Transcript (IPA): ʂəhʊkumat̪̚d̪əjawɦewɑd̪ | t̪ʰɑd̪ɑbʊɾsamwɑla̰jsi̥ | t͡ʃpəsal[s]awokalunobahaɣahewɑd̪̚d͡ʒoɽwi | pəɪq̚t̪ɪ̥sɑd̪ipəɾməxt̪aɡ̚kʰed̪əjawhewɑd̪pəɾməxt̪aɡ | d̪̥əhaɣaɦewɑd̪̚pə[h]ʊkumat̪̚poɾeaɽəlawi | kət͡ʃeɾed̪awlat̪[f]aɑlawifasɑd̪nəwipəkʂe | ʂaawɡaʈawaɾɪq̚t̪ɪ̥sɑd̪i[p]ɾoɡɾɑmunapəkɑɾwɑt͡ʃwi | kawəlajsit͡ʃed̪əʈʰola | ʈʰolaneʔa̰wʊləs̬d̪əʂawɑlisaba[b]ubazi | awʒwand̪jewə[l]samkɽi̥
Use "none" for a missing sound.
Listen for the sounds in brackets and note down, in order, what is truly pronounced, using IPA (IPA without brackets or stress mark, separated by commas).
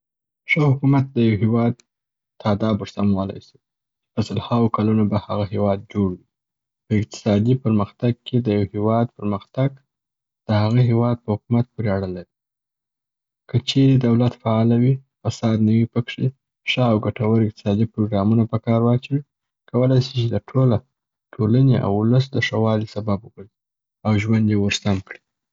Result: h, h, f, p, b, ɾ